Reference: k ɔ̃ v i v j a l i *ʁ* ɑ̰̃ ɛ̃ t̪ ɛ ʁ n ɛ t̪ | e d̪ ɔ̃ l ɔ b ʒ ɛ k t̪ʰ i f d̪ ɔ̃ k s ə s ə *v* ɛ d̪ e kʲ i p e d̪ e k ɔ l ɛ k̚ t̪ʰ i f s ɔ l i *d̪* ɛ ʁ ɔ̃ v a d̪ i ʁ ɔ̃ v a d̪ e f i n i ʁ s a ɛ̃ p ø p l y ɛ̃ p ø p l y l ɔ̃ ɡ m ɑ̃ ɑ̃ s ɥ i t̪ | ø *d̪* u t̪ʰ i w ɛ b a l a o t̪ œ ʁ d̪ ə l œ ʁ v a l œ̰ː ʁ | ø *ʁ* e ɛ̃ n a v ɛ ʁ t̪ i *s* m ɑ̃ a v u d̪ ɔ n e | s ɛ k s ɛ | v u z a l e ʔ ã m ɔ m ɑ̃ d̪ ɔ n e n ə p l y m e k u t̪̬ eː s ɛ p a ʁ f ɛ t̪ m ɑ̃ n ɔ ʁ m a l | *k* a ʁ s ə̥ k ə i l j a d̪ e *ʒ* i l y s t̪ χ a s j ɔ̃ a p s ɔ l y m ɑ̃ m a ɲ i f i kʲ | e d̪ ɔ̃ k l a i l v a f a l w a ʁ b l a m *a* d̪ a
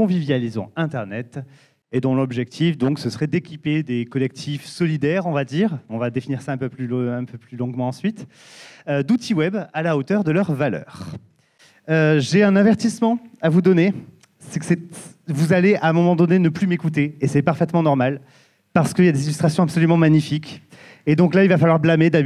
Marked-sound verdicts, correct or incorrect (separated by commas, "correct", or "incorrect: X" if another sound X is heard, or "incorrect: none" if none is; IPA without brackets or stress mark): incorrect: z, incorrect: ʁ, correct, correct, incorrect: ʒ, correct, incorrect: p, incorrect: z, incorrect: e